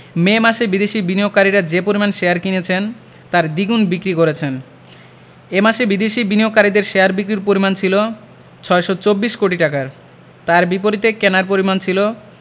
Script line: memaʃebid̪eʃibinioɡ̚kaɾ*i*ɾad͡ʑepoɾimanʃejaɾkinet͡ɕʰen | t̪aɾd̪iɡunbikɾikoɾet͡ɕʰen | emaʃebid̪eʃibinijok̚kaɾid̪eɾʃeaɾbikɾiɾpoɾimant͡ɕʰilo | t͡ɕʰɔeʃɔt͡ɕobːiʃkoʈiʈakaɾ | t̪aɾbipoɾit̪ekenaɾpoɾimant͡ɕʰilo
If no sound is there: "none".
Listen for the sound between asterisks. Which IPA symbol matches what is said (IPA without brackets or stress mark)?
i